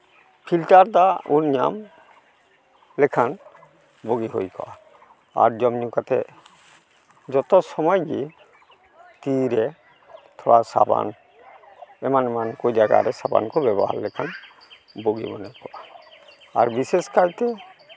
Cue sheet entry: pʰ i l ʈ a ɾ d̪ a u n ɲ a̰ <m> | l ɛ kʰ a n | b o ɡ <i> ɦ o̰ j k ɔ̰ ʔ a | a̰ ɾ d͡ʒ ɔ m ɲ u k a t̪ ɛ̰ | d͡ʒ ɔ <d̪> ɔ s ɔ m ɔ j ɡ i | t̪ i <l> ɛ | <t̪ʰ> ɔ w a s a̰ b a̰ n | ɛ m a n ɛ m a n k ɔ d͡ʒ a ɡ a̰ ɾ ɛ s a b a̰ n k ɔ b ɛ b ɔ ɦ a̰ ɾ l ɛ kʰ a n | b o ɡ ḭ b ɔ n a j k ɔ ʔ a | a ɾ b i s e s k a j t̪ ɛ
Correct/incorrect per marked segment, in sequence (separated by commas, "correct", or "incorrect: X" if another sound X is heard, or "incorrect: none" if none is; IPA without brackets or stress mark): correct, correct, incorrect: t̪, incorrect: ɾ, correct